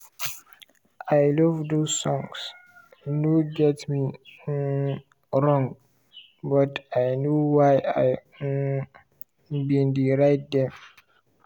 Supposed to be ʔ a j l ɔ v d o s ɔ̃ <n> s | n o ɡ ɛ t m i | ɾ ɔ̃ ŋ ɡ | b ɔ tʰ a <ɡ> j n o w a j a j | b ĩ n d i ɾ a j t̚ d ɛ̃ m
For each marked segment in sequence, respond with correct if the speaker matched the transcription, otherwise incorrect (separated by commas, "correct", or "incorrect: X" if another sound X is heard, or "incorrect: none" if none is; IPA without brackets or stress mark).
incorrect: ŋ, incorrect: none